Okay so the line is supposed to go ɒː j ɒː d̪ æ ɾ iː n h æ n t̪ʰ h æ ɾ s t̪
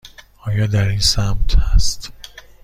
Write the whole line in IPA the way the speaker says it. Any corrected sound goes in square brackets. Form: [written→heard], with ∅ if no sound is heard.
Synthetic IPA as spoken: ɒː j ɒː d̪ æ ɾ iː n [h→s] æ [n→m] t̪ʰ h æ [ɾ→∅] s t̪